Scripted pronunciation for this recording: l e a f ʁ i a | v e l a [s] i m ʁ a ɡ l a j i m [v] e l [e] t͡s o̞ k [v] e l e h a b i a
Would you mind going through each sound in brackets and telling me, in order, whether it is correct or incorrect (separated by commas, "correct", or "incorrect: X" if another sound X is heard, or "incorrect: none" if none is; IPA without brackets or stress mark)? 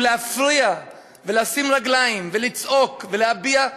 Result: correct, correct, incorrect: i, correct